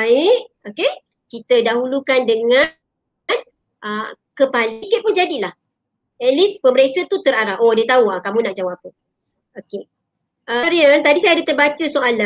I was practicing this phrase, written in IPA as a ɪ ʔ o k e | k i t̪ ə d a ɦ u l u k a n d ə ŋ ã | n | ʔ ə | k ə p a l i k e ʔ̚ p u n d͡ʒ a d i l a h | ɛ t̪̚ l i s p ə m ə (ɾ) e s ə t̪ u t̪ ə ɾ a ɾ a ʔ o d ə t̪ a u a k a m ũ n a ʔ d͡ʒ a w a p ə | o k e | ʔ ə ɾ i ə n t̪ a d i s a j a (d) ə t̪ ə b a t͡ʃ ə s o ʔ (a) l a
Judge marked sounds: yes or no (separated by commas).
yes, yes, yes